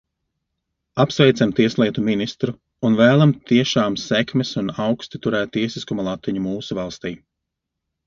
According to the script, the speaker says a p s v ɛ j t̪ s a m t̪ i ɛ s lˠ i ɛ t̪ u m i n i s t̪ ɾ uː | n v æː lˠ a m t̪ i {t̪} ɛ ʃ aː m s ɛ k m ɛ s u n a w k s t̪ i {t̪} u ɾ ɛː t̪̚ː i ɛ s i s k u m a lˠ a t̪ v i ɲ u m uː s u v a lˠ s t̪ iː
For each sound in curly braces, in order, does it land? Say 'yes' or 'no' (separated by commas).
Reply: no, yes